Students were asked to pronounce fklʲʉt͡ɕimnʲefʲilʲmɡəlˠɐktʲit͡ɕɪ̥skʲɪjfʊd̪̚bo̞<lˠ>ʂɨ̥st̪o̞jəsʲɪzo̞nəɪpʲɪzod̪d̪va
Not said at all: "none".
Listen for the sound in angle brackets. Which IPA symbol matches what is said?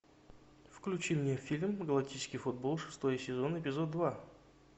lˠ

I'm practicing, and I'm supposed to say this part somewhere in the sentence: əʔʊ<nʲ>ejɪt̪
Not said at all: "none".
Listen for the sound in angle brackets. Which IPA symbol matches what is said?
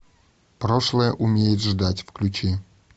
mʲ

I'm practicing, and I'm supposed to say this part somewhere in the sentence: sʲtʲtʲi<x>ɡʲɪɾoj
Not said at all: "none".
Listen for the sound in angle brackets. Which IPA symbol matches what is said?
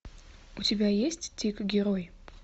k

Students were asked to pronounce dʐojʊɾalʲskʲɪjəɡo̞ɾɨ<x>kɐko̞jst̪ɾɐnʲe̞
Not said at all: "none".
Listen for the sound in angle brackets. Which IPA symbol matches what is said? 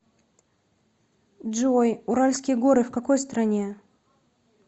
f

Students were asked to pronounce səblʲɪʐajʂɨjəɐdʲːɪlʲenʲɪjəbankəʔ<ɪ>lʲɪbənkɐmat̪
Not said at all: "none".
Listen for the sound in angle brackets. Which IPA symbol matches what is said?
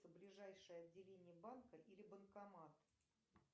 i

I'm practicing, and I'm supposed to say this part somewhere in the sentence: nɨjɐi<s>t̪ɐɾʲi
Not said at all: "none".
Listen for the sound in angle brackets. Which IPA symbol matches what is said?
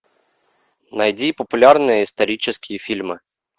s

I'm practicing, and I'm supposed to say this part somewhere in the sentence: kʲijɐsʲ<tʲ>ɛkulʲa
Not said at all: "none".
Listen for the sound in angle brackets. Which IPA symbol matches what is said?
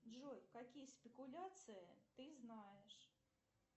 pʲ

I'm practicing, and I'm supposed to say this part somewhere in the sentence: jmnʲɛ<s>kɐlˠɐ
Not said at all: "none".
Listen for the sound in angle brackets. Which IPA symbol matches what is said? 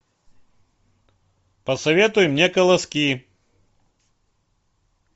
none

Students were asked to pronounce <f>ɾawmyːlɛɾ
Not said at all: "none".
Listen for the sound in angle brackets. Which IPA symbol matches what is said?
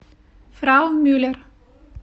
f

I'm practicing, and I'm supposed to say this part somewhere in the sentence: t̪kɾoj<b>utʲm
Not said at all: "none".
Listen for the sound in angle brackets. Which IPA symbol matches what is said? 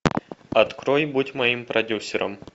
b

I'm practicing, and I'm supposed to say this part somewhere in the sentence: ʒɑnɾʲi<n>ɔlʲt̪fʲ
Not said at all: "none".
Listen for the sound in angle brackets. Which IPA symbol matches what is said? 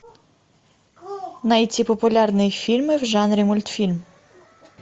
m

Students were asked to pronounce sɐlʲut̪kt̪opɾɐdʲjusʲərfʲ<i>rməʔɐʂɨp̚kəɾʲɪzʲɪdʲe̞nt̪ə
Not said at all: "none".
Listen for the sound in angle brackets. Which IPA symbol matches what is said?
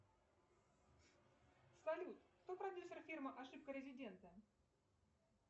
i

